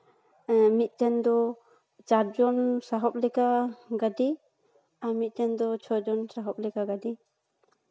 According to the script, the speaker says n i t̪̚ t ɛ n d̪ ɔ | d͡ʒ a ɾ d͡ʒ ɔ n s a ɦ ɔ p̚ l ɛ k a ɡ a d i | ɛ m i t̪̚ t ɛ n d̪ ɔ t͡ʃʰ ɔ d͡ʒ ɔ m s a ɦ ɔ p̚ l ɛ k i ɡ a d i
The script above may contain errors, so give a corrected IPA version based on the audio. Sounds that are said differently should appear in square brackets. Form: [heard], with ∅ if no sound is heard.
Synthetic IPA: [m] i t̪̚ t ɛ n d̪ ɔ | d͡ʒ a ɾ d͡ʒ ɔ n s a ɦ ɔ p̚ l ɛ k a ɡ a d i | [a] m i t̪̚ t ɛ n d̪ ɔ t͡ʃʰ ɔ d͡ʒ ɔ [n] s a ɦ ɔ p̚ l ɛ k [a] ɡ a d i